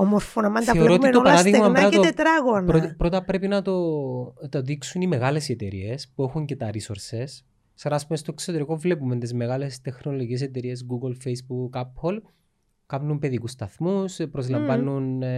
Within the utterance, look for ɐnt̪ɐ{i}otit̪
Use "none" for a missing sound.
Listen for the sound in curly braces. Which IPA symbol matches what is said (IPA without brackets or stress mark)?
e